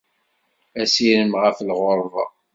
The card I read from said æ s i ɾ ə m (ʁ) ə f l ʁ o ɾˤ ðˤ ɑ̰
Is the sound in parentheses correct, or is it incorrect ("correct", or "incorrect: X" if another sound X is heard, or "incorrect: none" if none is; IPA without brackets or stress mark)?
correct